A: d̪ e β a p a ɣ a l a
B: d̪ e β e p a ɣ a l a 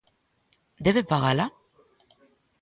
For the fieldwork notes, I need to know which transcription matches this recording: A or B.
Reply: B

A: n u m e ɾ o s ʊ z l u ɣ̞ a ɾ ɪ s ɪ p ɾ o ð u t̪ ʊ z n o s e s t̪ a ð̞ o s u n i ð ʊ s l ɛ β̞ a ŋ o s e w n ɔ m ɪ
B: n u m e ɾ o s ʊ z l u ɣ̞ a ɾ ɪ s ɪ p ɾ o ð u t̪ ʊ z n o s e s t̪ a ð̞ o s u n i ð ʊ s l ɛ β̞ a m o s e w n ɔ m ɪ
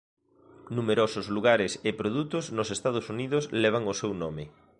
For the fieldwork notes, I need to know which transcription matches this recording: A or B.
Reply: A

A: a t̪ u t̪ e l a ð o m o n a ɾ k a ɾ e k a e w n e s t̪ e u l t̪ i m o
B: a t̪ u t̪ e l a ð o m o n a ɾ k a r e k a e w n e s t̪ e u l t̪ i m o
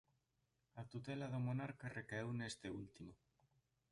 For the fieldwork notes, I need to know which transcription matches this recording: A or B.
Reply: B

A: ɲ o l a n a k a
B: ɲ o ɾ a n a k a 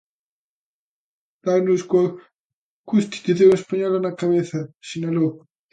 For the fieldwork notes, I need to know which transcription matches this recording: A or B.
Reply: A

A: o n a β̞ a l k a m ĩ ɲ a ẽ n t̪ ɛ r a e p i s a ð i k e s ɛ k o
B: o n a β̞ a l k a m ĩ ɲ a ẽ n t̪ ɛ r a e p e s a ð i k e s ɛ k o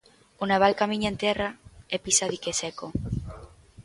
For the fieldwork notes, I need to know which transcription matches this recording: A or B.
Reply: A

